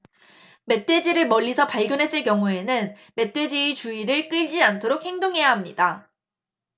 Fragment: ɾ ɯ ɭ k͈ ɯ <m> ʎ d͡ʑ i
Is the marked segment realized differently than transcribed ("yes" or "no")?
yes